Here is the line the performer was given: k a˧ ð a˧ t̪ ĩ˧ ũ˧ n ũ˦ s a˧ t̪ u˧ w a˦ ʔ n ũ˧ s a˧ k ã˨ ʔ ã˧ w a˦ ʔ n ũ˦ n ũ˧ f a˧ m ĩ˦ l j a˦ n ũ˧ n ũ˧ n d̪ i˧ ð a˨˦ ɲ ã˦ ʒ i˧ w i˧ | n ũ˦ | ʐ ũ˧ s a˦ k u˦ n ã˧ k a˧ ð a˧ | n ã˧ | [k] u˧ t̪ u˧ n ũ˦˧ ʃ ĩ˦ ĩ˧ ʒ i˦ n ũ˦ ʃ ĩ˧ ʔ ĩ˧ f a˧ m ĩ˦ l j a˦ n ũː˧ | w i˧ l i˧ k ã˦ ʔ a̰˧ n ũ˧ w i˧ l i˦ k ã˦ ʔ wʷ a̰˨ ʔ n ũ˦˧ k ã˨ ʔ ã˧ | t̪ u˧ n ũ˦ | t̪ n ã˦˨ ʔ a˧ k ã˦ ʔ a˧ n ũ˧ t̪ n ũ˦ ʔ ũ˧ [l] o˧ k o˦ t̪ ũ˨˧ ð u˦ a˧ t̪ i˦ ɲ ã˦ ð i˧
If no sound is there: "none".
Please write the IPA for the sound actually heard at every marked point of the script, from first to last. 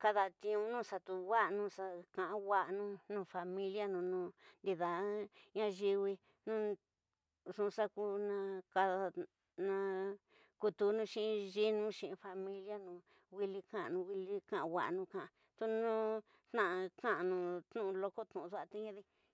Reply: k, l

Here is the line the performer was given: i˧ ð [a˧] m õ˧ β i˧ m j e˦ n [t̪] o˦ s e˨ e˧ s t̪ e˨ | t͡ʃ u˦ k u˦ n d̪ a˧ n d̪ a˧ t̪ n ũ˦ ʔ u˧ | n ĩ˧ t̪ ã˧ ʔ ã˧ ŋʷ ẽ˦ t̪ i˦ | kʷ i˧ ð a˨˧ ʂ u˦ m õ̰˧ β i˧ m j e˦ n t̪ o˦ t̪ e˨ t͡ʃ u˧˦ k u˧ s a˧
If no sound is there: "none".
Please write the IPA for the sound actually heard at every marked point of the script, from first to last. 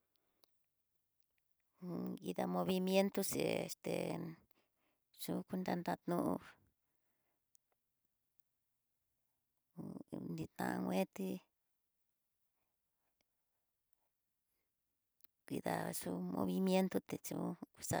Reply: a˧, t̪

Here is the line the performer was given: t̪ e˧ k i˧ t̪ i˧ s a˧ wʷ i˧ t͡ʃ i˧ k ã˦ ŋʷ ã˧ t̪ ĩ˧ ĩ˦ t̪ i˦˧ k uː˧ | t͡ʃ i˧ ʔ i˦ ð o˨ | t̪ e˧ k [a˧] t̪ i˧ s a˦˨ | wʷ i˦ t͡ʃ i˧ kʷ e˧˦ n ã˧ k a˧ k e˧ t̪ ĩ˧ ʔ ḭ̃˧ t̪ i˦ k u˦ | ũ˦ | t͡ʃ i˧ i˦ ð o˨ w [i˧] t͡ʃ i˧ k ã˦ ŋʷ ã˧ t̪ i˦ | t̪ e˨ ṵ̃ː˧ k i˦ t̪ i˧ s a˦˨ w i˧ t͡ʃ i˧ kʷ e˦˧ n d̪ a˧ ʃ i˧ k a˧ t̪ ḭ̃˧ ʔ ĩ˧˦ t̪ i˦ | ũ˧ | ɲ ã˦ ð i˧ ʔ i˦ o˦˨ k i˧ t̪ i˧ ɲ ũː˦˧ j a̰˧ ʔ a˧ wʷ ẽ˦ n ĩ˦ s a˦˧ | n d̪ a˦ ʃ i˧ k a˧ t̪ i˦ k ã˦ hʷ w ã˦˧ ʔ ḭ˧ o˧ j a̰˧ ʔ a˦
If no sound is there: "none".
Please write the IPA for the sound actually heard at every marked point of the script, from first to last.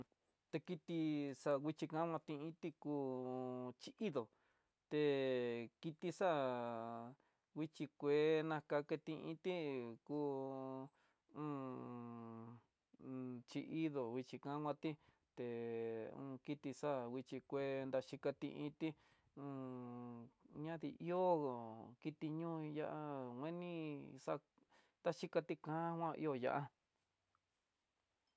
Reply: i˧, i˧

